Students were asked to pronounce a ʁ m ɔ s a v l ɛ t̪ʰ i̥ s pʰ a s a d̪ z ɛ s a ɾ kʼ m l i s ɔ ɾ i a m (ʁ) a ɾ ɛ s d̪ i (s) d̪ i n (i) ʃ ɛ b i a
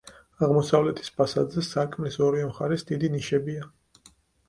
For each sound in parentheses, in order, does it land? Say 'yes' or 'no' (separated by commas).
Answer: no, no, yes